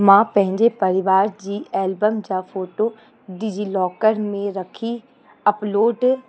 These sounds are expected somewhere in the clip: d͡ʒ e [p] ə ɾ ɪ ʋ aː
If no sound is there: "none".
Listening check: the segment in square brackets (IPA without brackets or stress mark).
p